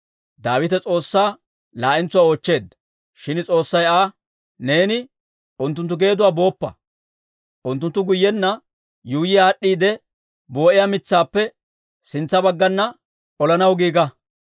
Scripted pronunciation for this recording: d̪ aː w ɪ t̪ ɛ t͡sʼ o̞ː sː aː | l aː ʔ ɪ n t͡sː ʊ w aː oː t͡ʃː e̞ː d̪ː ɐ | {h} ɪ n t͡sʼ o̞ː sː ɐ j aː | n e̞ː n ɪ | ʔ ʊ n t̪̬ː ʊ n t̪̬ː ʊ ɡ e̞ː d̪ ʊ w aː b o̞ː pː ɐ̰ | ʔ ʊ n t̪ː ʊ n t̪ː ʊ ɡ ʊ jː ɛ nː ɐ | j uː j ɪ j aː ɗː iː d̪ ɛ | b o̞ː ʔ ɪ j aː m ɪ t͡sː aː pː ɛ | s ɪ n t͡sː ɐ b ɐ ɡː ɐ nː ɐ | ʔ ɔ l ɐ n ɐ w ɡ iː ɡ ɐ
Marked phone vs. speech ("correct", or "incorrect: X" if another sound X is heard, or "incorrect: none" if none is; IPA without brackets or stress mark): incorrect: ʃ